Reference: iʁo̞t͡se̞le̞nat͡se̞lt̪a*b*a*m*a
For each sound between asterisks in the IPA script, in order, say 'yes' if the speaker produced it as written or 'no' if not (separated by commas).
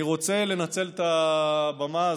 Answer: yes, yes